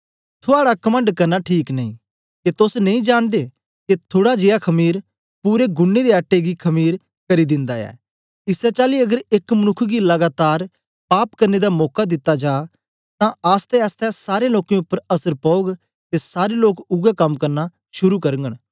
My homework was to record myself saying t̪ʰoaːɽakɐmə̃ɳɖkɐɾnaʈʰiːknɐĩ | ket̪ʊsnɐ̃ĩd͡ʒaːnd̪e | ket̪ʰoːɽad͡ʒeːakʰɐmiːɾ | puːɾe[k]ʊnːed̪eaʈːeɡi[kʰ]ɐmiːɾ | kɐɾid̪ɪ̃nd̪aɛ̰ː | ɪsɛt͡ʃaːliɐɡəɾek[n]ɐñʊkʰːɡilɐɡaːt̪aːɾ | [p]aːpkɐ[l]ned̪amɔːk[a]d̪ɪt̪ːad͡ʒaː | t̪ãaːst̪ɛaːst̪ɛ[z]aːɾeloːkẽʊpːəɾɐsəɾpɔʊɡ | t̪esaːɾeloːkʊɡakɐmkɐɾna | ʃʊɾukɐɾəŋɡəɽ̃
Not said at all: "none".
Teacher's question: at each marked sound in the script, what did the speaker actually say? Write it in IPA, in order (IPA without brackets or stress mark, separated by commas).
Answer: ɡ, kʰ, m, p, ɾ, a, s